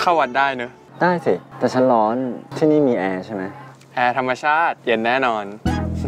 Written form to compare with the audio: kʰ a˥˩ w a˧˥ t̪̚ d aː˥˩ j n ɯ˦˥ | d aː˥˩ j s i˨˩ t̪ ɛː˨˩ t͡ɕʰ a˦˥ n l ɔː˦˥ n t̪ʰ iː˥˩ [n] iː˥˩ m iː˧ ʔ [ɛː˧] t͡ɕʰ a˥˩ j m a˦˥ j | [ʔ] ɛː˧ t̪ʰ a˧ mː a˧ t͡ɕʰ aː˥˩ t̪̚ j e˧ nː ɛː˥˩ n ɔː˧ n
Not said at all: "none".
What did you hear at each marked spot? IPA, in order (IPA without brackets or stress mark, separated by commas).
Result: n, ɛː˧, ʔ